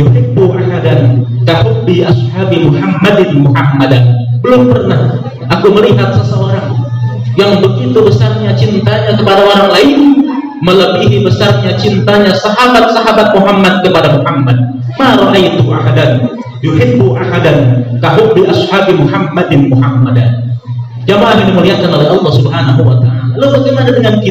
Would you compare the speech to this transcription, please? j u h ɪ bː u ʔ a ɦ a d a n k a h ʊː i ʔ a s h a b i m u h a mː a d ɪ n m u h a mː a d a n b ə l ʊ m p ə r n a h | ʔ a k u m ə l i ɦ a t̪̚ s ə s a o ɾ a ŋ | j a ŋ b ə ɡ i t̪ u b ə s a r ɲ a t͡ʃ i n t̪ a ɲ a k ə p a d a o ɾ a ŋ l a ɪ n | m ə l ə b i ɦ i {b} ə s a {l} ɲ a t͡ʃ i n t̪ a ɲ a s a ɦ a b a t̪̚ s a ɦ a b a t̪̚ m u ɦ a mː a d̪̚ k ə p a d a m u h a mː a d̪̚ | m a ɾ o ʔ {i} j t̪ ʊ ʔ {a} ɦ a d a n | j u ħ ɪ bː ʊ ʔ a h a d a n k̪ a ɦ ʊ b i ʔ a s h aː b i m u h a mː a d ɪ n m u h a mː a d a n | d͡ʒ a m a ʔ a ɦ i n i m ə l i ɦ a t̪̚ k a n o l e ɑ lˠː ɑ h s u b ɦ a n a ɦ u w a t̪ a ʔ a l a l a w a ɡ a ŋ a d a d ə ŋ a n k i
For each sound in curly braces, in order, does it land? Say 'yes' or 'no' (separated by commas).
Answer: yes, no, no, yes